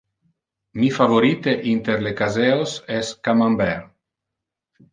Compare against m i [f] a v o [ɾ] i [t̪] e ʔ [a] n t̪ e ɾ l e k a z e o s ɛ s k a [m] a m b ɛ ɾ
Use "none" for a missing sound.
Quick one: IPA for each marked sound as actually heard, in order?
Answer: f, ɾ, t̪, i, m

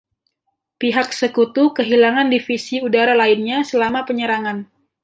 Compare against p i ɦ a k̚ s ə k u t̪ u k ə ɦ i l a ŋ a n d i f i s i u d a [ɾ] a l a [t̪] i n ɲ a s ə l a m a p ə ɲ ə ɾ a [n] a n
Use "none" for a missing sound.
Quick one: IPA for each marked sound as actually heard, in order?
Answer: ɾ, none, ŋ

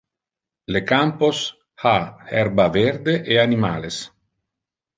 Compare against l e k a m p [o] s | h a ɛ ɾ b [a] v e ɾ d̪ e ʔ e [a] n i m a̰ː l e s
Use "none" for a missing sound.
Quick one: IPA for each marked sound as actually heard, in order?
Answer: o, a, a

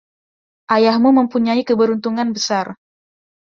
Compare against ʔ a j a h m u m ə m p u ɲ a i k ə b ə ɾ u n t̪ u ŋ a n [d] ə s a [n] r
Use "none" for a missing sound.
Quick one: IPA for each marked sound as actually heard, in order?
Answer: b, none

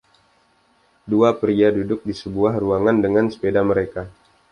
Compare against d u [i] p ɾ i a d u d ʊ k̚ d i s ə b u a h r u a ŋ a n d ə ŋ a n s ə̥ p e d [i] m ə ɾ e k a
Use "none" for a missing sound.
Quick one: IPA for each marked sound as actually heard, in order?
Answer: a, a

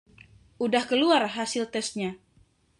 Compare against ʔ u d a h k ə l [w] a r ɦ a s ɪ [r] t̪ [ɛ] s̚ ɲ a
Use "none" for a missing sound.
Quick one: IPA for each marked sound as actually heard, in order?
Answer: u, l, ɛ

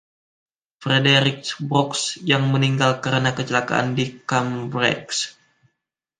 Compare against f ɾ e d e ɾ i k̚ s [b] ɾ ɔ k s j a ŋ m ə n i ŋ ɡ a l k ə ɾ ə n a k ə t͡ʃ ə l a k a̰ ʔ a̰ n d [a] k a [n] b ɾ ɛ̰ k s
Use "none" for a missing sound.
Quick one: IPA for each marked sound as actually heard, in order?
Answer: b, i, m

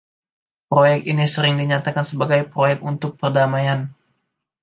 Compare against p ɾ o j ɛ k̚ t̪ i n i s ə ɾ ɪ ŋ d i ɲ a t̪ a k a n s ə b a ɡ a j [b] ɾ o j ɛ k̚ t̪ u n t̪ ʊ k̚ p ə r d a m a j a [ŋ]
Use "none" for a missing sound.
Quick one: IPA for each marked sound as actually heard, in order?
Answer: p, n

